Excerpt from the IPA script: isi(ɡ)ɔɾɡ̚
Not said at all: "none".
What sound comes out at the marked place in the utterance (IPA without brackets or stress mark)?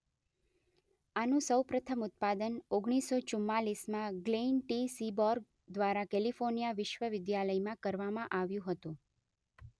b